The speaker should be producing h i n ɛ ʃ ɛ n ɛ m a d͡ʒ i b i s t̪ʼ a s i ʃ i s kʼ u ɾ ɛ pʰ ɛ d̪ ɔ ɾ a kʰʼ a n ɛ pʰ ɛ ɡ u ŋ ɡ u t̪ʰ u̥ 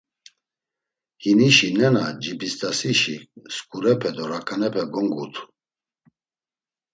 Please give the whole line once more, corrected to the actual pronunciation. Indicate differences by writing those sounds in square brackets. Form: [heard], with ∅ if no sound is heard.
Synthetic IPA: h i n [i] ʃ [i] n ɛ [n] a d͡ʒ i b i s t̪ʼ a s i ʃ i s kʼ u ɾ ɛ pʰ ɛ d̪ ɔ ɾ a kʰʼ a n ɛ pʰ ɛ ɡ [ɔ] ŋ ɡ u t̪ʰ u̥